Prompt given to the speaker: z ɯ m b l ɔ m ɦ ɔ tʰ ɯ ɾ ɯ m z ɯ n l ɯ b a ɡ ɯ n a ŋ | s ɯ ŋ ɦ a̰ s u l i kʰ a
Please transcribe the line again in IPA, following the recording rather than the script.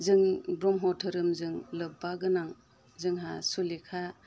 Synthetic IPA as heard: z ɯ ŋ b ɾ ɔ m ɦ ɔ tʰ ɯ ɾ ɯ m z ɯ ŋ l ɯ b a ɡ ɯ n a ŋ | z ɯ ŋ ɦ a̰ s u l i kʰ a

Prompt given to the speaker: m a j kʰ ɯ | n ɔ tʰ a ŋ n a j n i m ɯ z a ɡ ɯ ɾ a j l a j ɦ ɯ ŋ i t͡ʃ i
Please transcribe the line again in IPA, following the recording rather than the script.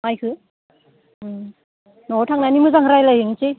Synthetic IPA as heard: m a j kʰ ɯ | n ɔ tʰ a ŋ n a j n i m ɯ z a ŋ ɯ ɾ a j l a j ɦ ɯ ŋ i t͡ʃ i

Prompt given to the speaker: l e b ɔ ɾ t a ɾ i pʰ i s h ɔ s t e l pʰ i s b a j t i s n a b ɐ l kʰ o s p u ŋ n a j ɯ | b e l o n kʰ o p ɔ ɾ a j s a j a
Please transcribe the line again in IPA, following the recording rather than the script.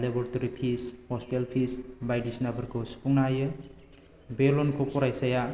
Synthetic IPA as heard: l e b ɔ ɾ t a ɾ i pʰ i s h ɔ s t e l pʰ i s b a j d i s n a b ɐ ɾ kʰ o s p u ŋ n a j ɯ | b e l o n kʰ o p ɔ ɾ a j s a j a

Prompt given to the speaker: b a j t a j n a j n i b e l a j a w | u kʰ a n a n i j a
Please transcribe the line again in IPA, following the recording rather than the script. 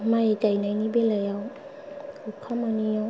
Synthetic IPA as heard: m a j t a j n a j n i b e l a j a w | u kʰ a m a n i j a

